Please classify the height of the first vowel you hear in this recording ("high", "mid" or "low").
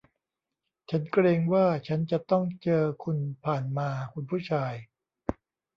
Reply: low